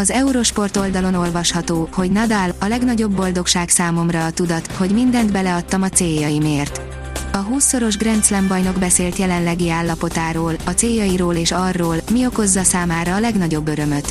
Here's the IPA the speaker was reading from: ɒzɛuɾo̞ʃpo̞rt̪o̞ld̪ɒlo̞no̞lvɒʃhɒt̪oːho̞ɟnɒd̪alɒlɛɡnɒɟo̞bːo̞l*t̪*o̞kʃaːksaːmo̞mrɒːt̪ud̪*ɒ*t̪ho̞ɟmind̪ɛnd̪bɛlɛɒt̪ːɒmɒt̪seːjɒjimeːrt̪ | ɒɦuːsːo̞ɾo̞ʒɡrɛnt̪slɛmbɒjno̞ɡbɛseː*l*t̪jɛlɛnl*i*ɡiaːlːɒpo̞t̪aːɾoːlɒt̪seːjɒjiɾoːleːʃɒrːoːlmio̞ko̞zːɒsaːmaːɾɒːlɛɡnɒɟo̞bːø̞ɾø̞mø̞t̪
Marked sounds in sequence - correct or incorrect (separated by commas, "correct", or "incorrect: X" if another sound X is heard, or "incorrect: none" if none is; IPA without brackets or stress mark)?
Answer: incorrect: d̪, correct, correct, incorrect: ɛ